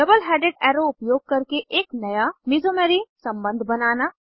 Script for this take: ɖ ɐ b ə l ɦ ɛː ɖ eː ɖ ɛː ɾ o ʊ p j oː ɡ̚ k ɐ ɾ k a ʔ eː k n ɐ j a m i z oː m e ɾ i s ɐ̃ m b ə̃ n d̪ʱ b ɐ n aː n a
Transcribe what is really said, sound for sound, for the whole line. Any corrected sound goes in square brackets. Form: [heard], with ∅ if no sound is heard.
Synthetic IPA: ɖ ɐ b ə l ɦ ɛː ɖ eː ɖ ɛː ɾ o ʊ p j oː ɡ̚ k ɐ ɾ k [e] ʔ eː k n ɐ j a m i z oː m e ɾ i s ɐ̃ m b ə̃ n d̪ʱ b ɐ n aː n a